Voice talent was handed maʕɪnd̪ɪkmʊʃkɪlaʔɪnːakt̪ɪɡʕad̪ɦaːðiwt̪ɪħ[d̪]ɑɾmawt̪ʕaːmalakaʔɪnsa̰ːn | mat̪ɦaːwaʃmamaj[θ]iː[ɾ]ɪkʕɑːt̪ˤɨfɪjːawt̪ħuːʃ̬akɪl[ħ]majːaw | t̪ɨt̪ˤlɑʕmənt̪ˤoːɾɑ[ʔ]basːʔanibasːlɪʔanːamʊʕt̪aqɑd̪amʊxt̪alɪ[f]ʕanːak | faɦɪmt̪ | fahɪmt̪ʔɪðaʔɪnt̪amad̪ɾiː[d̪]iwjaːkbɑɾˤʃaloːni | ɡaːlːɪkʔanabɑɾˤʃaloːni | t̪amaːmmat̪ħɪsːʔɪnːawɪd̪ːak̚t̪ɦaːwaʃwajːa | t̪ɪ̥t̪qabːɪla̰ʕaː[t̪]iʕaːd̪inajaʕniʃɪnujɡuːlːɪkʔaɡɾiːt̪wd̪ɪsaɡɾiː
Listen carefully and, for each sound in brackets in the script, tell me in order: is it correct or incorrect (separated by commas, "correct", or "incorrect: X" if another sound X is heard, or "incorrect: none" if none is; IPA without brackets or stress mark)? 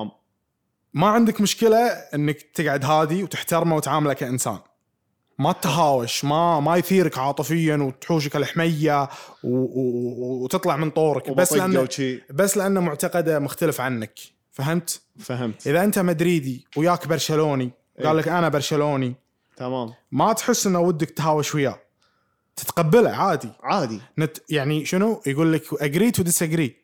incorrect: t̪, correct, correct, correct, incorrect: k, correct, correct, incorrect: d̪